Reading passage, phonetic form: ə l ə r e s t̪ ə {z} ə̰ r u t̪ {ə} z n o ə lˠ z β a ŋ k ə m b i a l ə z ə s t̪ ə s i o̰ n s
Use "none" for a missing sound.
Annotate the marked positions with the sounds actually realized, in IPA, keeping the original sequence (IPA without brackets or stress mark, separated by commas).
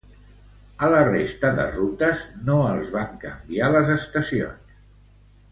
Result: ð, ə